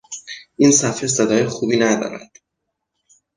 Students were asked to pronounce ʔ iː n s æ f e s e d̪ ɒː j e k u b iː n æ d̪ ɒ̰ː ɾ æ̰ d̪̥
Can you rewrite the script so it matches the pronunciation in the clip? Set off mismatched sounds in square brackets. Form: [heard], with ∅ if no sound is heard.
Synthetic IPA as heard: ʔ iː n s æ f e s e d̪ ɒː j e [x] u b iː n æ d̪ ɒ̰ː ɾ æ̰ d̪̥